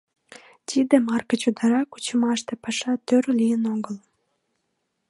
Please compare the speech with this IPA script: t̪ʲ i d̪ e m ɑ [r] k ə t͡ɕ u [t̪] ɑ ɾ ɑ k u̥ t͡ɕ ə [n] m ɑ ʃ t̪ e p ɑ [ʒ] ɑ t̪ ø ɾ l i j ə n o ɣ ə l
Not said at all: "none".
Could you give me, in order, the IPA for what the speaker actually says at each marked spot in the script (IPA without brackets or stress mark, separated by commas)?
r, d̪, none, ʃ